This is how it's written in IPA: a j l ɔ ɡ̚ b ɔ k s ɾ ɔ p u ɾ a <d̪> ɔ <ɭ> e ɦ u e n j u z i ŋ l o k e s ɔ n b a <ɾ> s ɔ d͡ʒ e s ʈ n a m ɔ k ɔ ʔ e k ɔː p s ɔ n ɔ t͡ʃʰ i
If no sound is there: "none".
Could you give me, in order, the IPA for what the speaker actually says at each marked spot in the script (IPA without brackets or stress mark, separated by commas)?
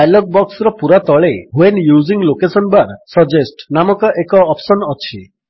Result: t̪, ɭ, ɾ